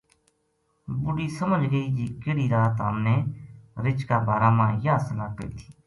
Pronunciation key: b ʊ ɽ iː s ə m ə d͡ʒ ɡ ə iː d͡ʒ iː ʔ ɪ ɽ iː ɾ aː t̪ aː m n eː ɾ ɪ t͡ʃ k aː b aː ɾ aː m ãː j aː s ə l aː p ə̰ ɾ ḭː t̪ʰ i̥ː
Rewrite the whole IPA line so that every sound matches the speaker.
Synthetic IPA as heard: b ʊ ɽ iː s ə m ə d͡ʒ ɡ ə iː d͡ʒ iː k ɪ ɽ iː ɾ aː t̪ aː m n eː ɾ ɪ t͡ʃ k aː b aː ɾ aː m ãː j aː s ə l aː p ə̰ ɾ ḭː t̪ʰ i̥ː